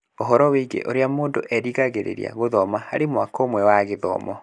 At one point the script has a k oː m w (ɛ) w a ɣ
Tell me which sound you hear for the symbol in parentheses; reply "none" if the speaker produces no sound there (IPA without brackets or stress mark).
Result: ɛ